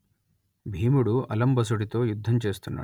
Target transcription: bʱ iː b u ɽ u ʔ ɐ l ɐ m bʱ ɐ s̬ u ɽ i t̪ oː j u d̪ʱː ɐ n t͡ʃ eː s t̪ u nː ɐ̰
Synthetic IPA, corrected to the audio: bʱ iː m u ɽ u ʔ ɐ l ɐ m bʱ ɐ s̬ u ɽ i t̪ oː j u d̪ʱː ɐ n t͡ʃ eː s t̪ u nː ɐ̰